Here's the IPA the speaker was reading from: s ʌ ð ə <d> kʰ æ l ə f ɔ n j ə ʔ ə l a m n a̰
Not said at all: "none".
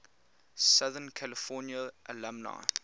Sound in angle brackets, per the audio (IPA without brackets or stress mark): n